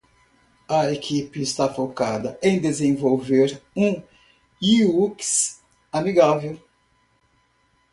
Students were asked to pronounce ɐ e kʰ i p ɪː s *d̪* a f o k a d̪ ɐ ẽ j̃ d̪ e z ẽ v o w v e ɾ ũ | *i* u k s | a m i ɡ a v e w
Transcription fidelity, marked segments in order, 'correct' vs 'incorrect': incorrect, correct

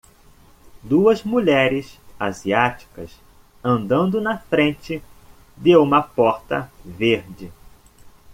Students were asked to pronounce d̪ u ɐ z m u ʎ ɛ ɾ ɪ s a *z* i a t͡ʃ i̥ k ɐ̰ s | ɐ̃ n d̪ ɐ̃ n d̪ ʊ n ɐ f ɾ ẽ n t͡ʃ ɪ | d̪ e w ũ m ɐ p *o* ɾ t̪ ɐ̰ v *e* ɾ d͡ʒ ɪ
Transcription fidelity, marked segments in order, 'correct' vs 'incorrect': correct, incorrect, correct

